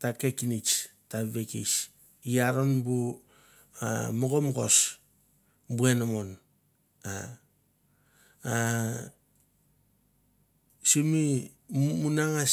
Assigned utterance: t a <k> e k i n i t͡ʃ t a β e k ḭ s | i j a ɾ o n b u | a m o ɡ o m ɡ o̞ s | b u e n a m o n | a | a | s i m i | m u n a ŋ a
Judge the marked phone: correct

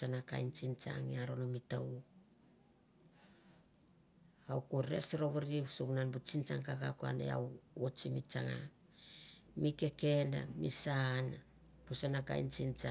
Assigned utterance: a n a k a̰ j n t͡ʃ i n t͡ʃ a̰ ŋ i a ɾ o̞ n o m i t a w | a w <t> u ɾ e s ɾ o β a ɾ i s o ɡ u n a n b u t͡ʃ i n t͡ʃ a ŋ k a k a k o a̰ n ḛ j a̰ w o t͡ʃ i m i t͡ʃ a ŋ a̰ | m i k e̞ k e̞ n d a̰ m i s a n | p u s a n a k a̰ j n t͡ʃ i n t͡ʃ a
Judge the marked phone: incorrect: k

